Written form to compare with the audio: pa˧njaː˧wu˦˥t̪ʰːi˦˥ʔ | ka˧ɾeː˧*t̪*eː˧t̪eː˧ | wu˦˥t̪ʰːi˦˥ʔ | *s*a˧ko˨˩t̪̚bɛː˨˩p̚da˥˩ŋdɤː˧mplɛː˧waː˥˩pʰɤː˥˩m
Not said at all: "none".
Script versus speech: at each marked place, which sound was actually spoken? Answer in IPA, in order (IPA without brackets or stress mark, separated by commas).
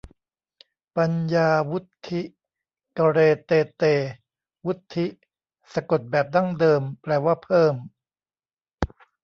t̪, s